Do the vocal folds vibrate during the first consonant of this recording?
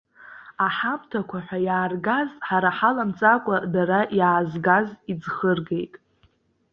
no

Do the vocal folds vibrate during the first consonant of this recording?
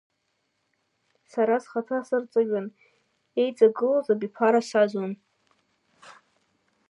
no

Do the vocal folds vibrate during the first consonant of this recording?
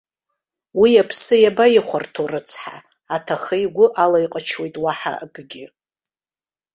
yes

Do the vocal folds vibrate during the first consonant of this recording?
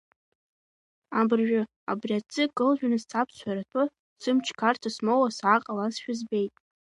yes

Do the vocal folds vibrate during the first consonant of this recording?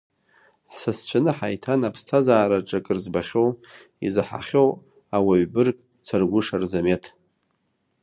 no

